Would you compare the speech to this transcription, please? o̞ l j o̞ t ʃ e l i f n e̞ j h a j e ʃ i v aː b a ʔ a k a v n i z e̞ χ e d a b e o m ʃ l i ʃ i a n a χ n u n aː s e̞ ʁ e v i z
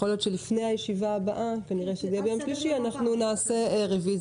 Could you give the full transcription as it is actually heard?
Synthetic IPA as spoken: o̞ l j o̞ t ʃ e l i f n e̞ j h a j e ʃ i v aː b a ʔ a k a n i ʁ e̞ ʃ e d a b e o m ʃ l i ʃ i a n a χ n u n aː s e̞ ʁ e v i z